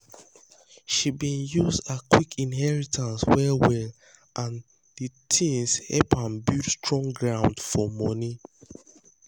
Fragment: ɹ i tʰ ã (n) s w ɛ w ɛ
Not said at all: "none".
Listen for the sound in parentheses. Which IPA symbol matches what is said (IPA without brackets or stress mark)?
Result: n